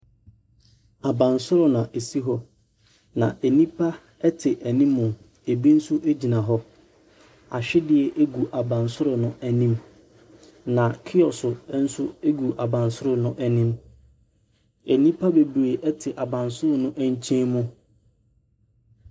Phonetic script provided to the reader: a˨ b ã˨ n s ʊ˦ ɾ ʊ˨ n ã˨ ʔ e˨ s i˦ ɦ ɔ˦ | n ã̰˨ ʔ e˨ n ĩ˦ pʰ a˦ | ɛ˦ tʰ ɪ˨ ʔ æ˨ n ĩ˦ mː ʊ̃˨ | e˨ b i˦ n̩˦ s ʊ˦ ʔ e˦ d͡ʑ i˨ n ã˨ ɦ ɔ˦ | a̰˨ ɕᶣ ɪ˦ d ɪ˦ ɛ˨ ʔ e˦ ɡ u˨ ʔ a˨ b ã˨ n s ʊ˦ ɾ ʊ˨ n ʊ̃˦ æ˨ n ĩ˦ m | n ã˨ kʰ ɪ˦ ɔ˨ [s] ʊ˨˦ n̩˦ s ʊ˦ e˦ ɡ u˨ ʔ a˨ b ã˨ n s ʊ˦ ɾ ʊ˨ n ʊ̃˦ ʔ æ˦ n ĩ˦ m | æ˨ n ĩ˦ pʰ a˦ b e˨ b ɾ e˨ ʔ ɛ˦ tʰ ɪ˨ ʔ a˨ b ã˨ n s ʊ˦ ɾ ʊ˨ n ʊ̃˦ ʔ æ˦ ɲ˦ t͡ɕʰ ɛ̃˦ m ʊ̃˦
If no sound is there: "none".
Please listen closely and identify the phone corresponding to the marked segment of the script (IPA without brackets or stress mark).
s